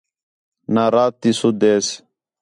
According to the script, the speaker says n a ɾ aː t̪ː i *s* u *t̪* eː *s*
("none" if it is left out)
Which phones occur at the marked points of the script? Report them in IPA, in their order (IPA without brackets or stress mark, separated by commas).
s, d̪, s